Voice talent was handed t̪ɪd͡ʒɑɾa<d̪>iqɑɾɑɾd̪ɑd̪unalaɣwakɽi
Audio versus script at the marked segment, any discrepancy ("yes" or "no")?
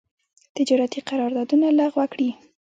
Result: yes